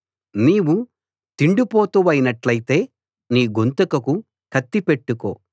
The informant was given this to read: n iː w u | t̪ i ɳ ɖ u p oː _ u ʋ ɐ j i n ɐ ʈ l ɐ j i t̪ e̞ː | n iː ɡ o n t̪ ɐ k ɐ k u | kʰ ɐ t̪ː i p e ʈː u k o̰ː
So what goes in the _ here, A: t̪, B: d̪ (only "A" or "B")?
A